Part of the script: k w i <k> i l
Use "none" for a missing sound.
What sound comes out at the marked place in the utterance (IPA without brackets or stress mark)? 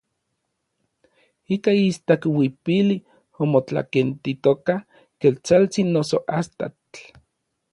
p